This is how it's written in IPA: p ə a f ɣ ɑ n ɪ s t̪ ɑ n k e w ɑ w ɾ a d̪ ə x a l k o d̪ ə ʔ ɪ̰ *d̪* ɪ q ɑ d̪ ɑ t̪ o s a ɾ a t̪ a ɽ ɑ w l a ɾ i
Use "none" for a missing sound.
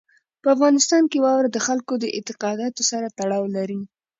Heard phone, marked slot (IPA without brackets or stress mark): t̪